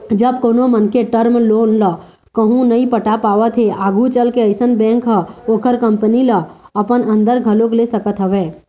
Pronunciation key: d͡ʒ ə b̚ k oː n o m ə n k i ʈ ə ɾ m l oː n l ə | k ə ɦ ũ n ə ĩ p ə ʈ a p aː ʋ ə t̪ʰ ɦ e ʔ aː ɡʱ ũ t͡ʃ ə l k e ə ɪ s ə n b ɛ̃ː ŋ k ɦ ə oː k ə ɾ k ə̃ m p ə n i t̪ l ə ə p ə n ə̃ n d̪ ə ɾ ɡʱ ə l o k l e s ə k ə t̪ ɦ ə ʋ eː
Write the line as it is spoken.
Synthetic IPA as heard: d͡ʒ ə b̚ k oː n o m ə n k e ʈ ə ɾ m l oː n l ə | k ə ɦ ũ n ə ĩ p ə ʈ a p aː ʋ ə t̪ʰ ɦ e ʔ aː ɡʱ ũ t͡ʃ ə l k e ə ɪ s ə n b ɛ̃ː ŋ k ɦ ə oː k ə ɾ k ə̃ m p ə n i l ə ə p ə n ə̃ n d̪ ə ɾ ɡʱ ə l o k l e s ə k ə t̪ ɦ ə ʋ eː